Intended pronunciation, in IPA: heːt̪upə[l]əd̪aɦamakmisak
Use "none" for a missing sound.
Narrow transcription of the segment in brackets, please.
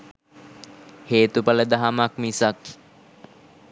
l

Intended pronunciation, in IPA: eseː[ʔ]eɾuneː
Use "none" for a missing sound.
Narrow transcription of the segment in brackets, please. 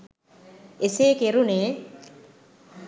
k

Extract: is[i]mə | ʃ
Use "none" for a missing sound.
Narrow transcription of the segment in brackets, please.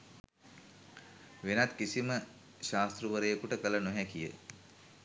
i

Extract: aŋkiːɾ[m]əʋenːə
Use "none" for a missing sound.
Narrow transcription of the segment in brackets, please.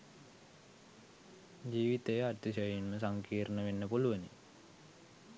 n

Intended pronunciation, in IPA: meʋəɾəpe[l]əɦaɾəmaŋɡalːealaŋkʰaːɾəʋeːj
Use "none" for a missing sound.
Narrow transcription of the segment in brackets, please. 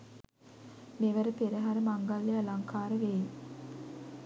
ɾ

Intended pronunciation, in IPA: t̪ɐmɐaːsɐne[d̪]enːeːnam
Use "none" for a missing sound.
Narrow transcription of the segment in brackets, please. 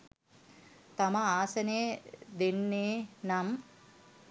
d̪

